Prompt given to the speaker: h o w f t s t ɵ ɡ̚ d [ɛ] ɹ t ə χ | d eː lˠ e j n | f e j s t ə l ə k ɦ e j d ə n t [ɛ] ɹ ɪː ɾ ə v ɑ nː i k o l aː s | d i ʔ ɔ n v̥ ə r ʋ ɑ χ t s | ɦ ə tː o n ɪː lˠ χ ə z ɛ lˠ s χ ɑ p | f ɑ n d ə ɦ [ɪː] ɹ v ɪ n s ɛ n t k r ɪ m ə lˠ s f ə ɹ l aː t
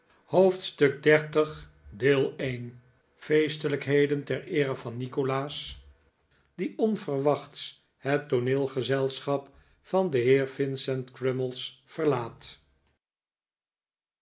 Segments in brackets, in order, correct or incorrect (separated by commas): correct, correct, correct